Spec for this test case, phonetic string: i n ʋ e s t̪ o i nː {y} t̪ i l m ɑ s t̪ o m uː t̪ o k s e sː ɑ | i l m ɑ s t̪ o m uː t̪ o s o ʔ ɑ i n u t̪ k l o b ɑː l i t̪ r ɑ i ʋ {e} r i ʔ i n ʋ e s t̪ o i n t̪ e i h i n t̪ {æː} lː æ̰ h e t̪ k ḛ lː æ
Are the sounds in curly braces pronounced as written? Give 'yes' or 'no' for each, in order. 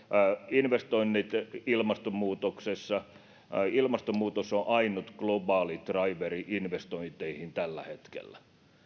no, yes, no

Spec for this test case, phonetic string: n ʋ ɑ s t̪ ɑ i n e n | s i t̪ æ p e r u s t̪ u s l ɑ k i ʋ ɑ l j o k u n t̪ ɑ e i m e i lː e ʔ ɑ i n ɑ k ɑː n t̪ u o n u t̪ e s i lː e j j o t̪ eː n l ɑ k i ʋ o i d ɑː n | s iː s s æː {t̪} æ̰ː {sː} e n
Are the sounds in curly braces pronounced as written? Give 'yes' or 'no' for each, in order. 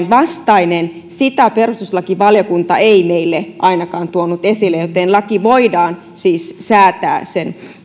yes, no

